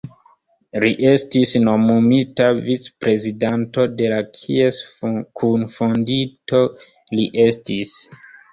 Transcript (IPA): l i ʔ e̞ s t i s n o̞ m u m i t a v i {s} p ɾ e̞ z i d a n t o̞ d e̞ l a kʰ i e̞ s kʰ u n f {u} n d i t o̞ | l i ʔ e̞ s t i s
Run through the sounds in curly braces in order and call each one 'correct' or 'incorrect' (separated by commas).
incorrect, incorrect